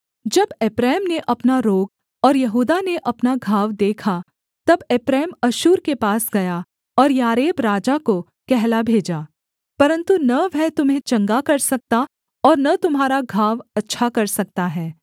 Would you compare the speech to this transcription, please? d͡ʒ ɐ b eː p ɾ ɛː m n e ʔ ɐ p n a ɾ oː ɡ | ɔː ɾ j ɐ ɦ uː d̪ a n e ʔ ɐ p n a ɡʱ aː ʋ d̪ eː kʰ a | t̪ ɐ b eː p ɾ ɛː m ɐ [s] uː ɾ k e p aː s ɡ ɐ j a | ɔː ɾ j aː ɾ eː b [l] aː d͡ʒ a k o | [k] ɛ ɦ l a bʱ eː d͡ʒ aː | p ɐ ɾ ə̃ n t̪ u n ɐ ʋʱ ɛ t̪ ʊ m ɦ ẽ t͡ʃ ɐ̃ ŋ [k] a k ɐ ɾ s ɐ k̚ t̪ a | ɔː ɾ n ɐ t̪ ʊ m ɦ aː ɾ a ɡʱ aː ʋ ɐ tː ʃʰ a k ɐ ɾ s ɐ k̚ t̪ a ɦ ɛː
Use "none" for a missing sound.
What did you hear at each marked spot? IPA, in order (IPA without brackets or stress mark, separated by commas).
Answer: ʃ, ɾ, k, ɡ